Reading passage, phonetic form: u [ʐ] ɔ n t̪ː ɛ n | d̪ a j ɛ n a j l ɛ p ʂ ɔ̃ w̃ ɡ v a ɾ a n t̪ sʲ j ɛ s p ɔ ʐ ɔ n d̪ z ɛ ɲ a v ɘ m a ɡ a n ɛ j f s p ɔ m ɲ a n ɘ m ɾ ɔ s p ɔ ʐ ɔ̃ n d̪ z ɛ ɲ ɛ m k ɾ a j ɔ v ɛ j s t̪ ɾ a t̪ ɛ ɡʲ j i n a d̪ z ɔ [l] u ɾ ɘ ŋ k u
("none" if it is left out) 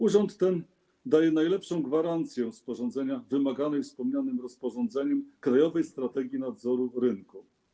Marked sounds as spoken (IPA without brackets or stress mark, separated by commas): ʐ, ɾ